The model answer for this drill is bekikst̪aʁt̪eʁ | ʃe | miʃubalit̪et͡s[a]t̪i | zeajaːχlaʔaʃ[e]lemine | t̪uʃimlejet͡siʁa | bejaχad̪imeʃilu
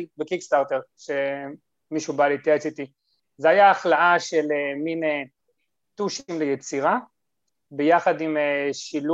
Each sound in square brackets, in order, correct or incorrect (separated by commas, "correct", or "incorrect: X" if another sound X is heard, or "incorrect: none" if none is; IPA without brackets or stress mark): incorrect: i, correct